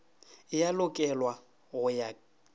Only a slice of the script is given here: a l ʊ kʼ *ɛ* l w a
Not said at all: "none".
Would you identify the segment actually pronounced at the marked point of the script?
ɛ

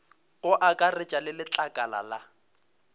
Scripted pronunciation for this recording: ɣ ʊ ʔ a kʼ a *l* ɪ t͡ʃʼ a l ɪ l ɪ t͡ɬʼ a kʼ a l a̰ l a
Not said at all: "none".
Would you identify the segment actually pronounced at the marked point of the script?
r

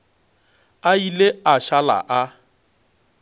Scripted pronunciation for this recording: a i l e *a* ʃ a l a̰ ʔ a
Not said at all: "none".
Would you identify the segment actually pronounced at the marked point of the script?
a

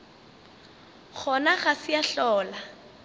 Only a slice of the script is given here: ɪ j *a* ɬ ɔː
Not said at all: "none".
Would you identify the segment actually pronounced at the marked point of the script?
a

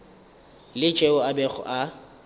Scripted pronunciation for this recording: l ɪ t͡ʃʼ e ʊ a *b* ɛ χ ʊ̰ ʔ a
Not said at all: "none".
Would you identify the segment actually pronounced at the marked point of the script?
b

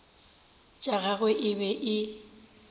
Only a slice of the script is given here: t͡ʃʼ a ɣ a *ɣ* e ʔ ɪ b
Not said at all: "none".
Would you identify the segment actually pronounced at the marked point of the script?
ɣ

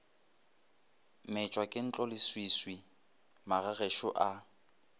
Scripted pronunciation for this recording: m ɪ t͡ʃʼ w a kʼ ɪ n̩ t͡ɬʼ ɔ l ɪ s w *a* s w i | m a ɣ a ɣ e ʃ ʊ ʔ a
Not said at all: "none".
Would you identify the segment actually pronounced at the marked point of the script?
i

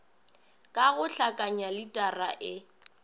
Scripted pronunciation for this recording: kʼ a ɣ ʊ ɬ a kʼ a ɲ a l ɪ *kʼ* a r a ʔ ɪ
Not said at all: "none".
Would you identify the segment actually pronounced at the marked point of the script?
tʼ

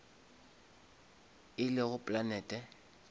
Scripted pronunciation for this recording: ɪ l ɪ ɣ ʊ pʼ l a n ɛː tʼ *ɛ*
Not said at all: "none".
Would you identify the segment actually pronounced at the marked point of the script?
ɛ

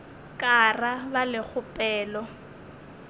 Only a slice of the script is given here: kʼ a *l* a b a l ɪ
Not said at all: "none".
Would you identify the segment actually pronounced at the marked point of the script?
r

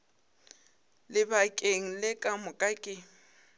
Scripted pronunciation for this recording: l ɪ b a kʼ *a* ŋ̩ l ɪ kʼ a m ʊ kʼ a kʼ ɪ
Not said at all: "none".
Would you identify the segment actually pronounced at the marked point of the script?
e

